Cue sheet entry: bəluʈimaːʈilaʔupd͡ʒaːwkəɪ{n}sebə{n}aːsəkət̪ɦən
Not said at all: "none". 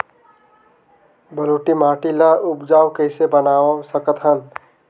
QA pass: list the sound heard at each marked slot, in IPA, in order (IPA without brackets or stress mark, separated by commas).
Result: none, n